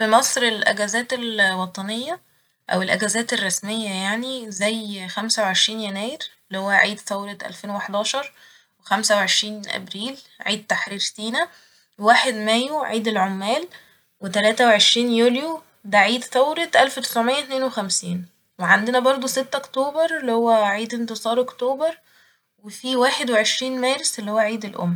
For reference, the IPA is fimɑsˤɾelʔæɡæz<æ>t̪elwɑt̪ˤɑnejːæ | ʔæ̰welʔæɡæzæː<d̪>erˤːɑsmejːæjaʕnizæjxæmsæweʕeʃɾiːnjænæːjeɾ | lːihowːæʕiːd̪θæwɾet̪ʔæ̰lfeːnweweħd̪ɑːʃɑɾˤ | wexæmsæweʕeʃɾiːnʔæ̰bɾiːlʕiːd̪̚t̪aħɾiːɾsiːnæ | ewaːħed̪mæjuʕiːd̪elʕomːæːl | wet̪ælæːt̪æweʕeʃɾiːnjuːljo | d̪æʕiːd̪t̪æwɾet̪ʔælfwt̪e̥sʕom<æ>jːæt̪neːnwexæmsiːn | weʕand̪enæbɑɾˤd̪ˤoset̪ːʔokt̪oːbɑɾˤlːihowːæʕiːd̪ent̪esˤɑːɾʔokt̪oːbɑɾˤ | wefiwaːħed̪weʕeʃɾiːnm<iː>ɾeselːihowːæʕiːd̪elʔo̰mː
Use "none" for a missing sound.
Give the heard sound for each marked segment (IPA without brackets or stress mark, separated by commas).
æː, t̪, e, æː